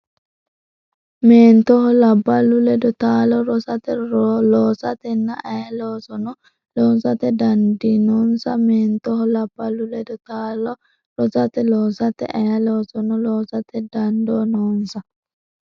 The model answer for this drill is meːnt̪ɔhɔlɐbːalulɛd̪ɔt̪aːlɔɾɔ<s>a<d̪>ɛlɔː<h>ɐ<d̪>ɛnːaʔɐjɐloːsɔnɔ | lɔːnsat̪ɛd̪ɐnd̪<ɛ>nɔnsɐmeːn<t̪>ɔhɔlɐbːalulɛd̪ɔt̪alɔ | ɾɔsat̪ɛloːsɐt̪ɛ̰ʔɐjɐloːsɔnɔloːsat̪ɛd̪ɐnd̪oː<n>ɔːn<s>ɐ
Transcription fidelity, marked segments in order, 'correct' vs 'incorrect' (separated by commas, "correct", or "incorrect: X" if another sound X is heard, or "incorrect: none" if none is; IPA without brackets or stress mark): correct, incorrect: t̪, incorrect: s, incorrect: t̪, incorrect: i, correct, correct, correct